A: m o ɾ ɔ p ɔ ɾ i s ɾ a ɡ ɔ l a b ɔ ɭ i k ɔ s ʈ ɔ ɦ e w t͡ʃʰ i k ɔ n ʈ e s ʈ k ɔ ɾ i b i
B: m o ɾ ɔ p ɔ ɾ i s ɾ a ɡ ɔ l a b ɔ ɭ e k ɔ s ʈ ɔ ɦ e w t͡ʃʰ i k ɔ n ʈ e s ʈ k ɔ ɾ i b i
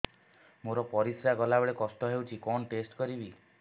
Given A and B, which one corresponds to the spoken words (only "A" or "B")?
B